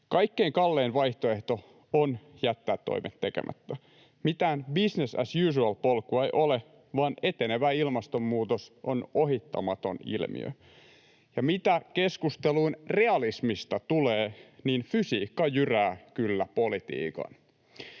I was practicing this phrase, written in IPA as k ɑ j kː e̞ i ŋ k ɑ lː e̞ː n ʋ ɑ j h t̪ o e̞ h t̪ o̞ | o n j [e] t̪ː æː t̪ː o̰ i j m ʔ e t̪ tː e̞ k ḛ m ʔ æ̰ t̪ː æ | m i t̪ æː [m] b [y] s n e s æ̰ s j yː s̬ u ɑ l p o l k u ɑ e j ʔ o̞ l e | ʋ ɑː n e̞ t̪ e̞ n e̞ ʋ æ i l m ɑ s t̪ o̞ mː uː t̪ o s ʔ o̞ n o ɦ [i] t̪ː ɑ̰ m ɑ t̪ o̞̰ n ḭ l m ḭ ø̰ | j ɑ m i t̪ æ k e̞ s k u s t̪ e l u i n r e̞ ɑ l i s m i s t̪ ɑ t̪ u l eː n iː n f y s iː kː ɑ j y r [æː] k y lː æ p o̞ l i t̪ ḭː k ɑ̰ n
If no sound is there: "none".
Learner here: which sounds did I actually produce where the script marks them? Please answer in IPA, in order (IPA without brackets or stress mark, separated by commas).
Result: æ, n, i, i, æː